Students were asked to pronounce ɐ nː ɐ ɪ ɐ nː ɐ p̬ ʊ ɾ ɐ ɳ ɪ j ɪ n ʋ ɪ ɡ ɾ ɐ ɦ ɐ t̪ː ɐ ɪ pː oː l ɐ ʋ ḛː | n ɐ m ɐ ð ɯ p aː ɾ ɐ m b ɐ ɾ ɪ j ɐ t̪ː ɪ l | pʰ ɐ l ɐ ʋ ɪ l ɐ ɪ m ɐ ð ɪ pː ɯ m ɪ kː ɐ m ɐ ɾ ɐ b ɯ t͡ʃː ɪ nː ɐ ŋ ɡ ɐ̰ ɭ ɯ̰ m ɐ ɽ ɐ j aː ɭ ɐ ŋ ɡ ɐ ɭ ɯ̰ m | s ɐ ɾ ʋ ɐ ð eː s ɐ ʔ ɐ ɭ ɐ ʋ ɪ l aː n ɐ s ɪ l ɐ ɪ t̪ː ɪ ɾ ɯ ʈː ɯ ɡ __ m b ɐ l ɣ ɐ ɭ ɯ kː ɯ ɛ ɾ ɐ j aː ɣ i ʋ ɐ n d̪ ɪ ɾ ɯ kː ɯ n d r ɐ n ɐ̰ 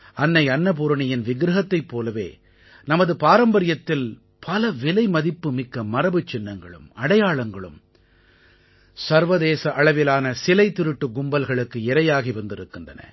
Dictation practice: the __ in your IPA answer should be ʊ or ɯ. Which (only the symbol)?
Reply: ʊ